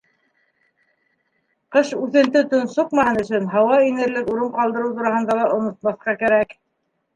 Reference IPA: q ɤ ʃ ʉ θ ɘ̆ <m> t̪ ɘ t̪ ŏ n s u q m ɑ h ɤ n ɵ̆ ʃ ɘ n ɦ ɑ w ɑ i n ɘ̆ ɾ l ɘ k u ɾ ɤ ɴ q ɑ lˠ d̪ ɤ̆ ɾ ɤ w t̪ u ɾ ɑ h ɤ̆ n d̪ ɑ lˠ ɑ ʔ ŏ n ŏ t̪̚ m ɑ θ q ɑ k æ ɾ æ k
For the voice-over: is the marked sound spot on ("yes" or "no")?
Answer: no